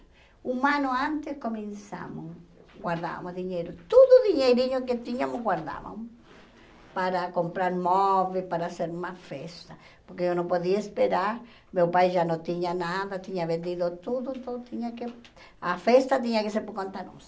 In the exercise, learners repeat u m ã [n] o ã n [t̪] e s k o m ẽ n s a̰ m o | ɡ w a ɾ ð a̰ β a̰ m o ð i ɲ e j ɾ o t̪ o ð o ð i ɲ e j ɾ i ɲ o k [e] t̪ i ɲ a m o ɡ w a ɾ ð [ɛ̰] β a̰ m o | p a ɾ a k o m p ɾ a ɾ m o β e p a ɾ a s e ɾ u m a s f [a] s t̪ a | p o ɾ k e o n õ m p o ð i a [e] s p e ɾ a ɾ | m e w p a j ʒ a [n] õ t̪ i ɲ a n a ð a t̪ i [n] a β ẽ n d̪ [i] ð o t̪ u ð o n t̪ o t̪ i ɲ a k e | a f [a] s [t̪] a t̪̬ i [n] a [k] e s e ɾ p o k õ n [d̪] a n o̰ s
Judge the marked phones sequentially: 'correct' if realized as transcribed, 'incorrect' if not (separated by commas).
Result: correct, correct, correct, incorrect, incorrect, correct, correct, incorrect, correct, incorrect, correct, incorrect, correct, incorrect